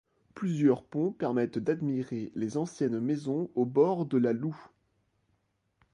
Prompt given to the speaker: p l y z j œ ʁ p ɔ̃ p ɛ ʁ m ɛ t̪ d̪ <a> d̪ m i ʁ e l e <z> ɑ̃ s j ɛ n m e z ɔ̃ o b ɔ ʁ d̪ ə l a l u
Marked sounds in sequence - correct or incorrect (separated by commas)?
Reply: correct, correct